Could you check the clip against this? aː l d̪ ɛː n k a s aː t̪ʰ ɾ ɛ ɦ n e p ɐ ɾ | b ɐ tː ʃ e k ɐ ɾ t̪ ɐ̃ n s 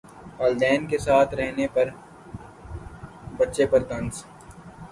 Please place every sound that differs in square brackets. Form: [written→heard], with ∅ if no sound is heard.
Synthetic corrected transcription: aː l d̪ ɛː n k [a→e] s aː t̪ʰ ɾ ɛ ɦ n e p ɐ ɾ | b ɐ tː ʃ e [k→p] ɐ ɾ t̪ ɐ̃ n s